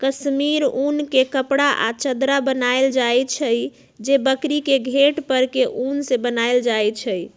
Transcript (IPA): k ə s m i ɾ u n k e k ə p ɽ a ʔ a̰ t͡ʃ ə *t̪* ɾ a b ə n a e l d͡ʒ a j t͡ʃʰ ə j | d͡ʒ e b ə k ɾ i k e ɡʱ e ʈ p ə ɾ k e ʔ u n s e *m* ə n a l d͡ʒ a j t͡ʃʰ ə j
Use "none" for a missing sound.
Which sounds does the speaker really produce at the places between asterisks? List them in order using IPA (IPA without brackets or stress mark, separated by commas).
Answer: d̪, b